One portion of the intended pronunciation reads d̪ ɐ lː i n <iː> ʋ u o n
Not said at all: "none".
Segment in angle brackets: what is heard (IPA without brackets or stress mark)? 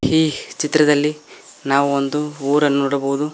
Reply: aː